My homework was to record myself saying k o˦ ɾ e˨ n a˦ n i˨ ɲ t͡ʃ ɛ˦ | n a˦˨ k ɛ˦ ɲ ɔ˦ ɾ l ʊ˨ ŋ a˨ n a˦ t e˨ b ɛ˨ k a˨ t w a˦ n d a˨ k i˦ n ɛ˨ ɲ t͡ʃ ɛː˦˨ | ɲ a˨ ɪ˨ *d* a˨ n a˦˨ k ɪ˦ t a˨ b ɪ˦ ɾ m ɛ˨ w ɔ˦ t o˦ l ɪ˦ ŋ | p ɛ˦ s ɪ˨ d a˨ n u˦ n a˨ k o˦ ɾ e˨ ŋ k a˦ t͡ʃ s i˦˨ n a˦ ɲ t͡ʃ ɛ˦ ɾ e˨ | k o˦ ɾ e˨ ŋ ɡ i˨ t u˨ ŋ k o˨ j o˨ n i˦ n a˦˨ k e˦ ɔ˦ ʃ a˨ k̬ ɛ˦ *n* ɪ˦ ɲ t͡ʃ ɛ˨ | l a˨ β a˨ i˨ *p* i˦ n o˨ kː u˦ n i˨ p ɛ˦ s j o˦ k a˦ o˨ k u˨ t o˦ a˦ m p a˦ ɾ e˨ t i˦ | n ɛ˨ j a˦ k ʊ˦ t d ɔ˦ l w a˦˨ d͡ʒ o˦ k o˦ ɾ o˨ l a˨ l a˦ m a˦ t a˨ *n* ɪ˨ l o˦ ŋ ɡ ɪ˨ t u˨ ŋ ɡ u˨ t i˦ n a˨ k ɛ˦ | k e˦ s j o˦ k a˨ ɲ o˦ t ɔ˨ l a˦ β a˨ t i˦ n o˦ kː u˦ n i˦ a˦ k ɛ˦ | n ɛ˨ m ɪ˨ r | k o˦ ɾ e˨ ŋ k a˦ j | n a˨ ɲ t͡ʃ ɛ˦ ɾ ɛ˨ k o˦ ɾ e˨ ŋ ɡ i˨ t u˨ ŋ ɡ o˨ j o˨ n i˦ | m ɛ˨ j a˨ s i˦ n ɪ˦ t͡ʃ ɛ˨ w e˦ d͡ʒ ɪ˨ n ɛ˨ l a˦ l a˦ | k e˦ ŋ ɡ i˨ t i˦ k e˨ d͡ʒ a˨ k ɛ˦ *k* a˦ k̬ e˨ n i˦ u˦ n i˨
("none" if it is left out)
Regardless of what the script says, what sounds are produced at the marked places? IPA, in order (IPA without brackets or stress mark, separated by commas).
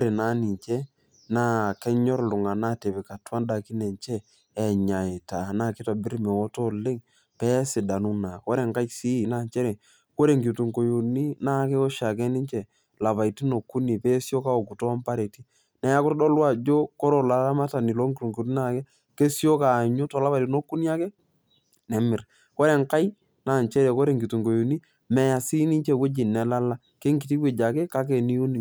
t, n, t, n, k